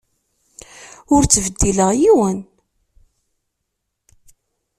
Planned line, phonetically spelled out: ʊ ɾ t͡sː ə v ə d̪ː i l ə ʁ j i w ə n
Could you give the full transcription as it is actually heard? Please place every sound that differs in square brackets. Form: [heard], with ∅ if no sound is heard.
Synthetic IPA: ʊ ɾ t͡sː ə v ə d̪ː i l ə ʁ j i w ə n